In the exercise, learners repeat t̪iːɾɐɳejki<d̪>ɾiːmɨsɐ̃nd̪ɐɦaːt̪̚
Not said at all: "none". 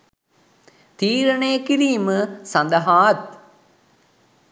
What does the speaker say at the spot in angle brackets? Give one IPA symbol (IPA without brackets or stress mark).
none